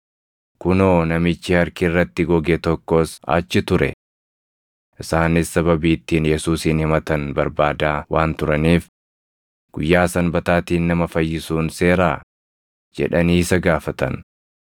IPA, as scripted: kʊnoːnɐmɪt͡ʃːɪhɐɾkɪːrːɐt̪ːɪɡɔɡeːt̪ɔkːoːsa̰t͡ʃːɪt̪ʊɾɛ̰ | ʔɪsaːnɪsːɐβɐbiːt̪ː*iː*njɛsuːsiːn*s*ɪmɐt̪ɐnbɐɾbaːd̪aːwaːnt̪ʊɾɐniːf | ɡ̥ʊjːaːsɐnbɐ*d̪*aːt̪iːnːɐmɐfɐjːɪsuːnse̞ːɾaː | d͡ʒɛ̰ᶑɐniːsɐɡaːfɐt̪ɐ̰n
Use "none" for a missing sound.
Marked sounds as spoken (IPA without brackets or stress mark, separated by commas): iː, h, t̪